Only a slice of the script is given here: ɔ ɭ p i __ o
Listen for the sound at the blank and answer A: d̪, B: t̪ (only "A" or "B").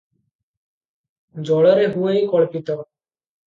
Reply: B